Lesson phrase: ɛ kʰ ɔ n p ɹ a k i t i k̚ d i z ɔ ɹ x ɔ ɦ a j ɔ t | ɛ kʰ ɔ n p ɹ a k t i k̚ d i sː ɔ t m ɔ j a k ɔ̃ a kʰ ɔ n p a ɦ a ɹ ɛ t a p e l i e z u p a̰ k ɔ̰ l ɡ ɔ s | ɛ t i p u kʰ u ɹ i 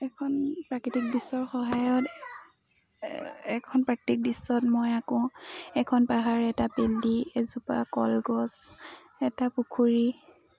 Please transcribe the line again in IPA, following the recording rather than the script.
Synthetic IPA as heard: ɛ kʰ ɔ n p ɹ a k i t i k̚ d i s ɔ ɹ x ɔ ɦ a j ɔ t | ɛ kʰ ɔ n p ɹ a k t i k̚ d i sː ɔ t m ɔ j a k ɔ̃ ɛ kʰ ɔ n p a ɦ a ɹ ɛ t a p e l i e z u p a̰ k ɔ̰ l ɡ ɔ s | ɛ t a p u kʰ u ɹ i